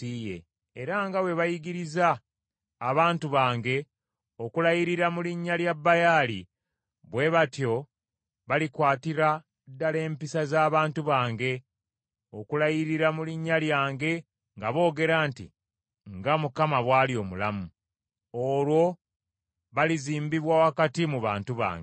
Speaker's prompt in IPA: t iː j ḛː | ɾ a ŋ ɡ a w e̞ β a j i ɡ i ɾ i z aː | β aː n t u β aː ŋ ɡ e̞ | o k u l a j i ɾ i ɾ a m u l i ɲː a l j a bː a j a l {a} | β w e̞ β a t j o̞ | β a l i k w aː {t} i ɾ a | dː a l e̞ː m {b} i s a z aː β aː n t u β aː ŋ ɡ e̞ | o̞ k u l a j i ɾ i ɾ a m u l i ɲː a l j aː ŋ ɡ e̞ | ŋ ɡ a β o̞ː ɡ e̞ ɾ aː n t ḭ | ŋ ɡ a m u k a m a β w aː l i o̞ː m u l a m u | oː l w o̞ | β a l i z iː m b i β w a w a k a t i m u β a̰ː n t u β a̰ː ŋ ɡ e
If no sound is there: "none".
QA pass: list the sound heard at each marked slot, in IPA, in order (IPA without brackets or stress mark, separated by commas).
i, t, p